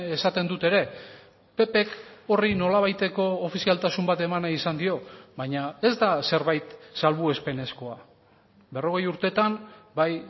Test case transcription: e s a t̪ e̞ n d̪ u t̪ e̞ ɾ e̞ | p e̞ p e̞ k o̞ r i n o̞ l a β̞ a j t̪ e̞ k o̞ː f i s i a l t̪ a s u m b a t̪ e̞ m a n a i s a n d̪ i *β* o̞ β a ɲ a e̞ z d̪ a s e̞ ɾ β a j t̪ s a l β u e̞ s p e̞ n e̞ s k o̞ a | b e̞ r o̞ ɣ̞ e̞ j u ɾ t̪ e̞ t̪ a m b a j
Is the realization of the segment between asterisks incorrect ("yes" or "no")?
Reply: yes